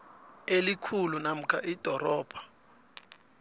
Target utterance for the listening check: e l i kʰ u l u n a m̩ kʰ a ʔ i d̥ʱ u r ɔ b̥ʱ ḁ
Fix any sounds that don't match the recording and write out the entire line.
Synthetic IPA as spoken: e l i kʰ u l u n a m̩ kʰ a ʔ i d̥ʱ ɔ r ɔː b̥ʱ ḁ